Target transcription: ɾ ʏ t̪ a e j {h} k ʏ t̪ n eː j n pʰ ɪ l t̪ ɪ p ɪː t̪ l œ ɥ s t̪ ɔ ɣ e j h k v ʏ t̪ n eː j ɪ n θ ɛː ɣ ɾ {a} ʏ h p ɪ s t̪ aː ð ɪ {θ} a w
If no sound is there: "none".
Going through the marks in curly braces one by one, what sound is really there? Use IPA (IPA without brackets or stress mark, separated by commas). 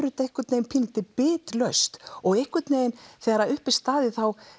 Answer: h, a, θ